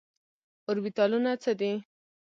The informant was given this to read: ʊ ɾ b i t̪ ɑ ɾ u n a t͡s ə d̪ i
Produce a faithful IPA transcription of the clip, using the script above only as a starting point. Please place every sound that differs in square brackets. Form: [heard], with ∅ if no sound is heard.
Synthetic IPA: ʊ ɾ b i t̪ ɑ [l] u n a t͡s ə d̪ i